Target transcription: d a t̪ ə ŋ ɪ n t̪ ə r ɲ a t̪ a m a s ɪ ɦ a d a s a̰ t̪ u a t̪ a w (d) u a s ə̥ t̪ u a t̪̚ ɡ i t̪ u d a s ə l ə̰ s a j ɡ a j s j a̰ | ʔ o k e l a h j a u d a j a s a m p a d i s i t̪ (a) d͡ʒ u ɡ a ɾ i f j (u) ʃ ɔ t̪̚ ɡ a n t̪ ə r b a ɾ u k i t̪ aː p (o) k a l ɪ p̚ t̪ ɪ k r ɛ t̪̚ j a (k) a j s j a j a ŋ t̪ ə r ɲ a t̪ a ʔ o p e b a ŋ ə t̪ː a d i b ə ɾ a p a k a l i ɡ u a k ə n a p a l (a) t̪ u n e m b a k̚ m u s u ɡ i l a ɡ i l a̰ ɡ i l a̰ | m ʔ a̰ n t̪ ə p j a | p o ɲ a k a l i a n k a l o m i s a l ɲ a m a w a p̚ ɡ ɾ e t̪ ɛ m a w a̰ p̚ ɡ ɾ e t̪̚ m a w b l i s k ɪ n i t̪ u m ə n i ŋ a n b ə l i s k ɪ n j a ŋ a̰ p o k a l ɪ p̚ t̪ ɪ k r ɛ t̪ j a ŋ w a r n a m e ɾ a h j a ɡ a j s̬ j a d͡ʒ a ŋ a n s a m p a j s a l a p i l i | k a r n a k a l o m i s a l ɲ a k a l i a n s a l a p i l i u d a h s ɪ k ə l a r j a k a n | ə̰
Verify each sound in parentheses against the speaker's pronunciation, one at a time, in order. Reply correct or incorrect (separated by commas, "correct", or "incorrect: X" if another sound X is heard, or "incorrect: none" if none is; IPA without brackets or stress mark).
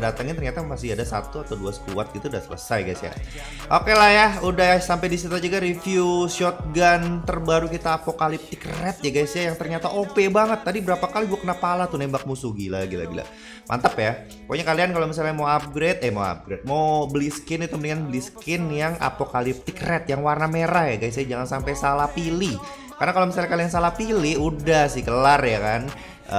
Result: correct, correct, correct, correct, incorrect: ɡ, correct